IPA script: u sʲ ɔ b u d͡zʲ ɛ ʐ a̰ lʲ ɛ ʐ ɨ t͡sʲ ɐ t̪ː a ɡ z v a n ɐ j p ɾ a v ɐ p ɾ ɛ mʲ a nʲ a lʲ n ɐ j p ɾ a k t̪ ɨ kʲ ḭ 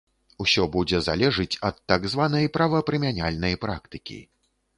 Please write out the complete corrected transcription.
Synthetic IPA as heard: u sʲ ɔ b u d͡zʲ ɛ z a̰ lʲ ɛ ʐ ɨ t͡sʲ ɐ t̪ː a ɡ z v a n ɐ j p ɾ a v ɐ p ɾ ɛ mʲ a nʲ a lʲ n ɐ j p ɾ a k t̪ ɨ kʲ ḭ